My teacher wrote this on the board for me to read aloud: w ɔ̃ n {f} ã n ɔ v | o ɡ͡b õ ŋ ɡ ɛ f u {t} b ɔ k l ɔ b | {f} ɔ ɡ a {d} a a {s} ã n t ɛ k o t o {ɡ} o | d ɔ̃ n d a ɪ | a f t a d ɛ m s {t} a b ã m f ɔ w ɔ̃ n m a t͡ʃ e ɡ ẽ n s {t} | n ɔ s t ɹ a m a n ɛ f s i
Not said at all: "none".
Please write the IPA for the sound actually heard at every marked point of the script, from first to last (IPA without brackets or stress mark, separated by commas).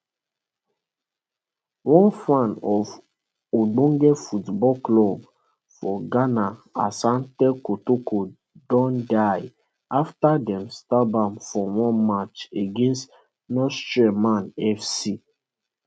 f, t, f, n, s, k, t, t